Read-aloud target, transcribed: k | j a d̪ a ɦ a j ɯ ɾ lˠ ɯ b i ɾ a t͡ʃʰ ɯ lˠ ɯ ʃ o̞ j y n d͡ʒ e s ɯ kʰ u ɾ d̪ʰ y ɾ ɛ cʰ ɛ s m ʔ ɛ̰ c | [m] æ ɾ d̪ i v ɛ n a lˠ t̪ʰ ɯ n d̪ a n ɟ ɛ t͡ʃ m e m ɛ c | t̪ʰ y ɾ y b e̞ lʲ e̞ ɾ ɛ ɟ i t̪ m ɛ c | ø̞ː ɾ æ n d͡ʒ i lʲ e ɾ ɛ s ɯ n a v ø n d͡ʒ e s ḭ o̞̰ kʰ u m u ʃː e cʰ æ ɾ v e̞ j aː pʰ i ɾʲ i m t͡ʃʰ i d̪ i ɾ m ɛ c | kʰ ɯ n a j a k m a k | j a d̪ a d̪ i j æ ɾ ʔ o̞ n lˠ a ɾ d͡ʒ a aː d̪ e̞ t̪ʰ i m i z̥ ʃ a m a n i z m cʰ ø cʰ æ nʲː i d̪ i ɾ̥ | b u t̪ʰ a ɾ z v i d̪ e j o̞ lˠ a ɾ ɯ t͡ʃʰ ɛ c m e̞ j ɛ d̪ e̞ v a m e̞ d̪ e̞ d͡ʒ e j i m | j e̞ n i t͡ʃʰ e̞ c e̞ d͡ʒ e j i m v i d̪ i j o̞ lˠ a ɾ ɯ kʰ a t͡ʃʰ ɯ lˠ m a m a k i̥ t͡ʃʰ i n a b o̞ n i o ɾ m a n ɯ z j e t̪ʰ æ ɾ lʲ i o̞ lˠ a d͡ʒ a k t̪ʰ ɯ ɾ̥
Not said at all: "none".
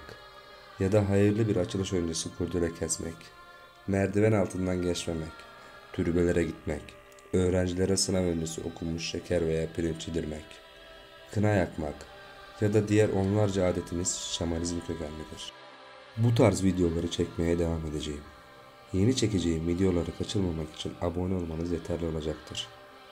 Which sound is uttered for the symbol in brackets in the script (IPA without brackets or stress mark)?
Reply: m